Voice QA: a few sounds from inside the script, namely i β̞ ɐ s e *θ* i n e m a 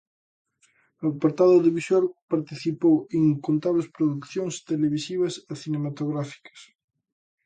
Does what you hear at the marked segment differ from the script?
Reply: no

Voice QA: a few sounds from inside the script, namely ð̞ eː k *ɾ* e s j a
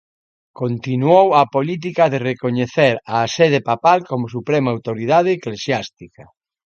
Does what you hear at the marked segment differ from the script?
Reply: yes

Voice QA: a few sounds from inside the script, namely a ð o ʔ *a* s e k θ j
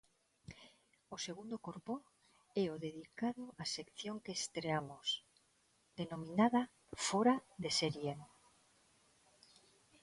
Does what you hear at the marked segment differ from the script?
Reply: no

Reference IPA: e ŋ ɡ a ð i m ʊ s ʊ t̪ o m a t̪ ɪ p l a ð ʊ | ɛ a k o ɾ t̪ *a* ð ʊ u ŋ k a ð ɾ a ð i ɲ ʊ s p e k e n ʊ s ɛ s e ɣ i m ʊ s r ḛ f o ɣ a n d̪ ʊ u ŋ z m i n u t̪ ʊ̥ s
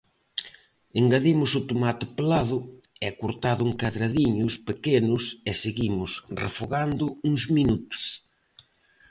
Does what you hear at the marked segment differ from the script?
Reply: no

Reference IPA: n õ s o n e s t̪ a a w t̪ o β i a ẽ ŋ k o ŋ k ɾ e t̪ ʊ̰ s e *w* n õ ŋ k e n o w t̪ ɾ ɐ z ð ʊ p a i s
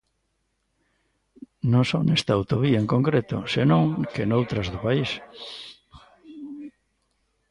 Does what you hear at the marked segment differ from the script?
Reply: yes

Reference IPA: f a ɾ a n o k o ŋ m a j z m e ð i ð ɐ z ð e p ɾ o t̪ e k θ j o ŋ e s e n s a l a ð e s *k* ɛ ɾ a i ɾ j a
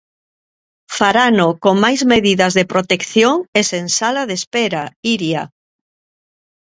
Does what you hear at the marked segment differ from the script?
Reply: yes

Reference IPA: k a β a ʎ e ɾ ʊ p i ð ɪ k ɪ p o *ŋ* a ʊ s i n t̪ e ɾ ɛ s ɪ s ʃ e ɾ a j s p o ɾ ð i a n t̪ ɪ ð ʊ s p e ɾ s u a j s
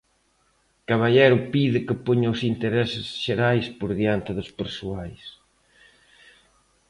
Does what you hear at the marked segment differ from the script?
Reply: yes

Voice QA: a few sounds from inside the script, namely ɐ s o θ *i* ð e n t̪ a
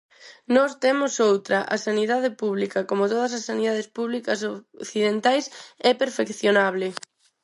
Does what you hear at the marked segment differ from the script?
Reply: no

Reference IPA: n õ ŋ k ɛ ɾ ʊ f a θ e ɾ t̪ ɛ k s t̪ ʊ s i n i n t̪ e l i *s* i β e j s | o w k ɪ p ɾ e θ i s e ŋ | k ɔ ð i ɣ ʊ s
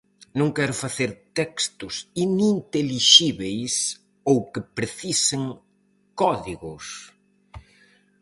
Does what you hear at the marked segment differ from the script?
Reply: yes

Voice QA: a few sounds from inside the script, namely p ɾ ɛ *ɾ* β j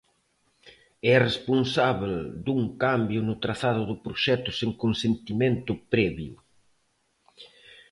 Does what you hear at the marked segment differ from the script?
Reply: yes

